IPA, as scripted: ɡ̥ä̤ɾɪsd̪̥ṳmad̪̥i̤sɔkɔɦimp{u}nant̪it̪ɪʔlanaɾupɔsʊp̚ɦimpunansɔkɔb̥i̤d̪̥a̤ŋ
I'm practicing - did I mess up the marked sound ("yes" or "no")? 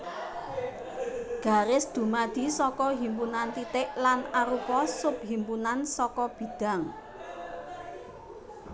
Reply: no